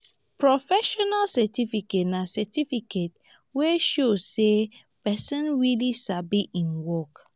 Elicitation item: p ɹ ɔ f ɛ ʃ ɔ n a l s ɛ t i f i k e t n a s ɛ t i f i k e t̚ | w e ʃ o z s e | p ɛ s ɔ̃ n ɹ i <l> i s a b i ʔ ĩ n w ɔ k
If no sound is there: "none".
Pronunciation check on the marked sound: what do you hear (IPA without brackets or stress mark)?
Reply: l